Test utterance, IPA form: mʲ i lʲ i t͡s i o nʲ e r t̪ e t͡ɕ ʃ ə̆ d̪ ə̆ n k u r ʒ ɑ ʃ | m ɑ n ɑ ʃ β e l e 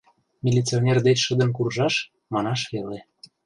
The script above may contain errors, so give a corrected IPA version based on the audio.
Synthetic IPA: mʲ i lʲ i t͡s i o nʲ e r d̪ e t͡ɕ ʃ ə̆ d̪ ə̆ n k u r ʒ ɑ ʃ | m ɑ n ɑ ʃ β e l e